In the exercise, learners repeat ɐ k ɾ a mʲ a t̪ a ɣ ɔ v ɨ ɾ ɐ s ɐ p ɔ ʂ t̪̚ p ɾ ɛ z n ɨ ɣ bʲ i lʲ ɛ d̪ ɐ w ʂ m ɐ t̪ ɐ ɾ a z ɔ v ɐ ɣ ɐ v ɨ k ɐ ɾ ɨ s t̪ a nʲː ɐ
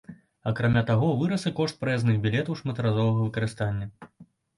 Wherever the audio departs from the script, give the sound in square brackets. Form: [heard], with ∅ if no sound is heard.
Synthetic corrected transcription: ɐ k ɾ a mʲ a t̪ a ɣ ɔ v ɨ ɾ ɐ s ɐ [k] ɔ ʂ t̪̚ p ɾ ɛ z n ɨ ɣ bʲ i lʲ ɛ [t̪] ɐ w ʂ m ɐ t̪ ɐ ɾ a z ɔ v ɐ ɣ ɐ v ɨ k ɐ ɾ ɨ s t̪ a nʲː ɐ